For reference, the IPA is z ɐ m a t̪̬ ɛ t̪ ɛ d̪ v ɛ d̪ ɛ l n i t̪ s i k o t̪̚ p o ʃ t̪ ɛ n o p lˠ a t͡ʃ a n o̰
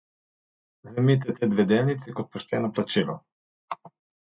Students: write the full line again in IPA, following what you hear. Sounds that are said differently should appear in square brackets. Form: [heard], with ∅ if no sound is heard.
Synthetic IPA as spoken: z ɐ m [i] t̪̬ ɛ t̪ ɛ d̪ v ɛ d̪ ɛ l n i t̪ s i k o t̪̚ p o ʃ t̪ ɛ n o p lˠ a t͡ʃ [i] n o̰